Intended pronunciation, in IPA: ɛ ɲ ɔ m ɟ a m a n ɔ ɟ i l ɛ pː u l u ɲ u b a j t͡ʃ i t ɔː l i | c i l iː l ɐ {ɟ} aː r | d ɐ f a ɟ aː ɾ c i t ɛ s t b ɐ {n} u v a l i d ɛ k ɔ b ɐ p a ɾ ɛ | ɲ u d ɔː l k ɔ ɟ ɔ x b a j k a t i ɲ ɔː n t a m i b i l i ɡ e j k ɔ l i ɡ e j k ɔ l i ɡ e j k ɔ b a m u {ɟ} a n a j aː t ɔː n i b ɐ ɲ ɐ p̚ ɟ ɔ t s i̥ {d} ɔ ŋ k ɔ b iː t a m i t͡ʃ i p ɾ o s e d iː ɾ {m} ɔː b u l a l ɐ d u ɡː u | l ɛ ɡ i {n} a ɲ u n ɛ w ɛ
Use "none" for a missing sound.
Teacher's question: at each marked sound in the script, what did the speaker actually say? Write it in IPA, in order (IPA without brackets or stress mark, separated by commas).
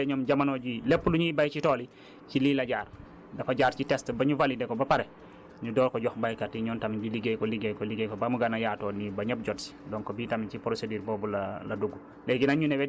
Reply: ɟ, ɲ, ɡ, d, b, n